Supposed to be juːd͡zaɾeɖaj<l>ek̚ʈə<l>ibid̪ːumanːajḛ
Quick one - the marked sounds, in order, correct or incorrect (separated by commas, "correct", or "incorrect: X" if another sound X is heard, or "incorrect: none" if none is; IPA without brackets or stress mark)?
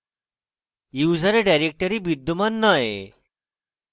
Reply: incorrect: ɾ, incorrect: ɾ